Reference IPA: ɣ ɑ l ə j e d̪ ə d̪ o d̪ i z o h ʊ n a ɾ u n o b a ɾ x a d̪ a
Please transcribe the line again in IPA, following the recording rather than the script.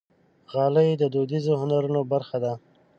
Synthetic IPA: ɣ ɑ l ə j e d̪ ə d̪ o d̪ i z o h ʊ n a ɾ u n o b a ɾ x a d̪ a